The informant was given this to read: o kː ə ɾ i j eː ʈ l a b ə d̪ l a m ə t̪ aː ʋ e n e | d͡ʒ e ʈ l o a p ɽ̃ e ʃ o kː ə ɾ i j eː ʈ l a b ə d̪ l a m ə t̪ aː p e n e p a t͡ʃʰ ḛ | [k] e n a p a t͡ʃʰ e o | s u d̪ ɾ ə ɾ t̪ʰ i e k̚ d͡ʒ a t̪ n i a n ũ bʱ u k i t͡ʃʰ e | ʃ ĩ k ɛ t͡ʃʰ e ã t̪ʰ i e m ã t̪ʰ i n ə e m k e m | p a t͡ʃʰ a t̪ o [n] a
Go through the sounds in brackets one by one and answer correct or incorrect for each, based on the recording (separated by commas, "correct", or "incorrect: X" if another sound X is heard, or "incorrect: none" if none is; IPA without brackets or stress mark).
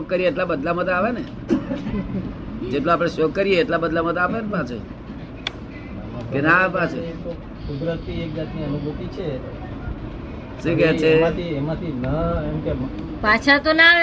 correct, correct